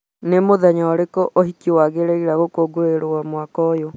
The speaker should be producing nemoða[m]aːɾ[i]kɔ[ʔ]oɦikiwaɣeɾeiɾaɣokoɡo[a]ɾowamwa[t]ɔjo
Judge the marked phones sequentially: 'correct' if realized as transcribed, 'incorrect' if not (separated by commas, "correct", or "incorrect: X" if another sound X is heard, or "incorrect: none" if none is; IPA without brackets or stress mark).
incorrect: ɲ, incorrect: e, correct, incorrect: e, incorrect: k